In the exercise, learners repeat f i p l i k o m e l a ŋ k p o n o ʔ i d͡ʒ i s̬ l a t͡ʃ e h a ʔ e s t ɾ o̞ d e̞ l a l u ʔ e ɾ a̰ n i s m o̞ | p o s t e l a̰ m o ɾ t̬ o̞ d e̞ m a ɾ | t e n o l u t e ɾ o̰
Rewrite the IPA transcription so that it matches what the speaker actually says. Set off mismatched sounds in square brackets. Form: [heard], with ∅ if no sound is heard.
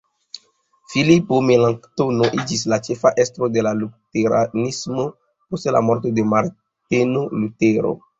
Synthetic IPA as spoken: f i [∅] l i [p] o m e l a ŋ k [t] o n o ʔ i d͡ʒ i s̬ l a t͡ʃ e [f] a ʔ e s t ɾ o̞ d e̞ l a l u [t] e ɾ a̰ n i s m o̞ | p o s t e l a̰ m o ɾ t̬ o̞ d e̞ m a ɾ | t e n o l u t e ɾ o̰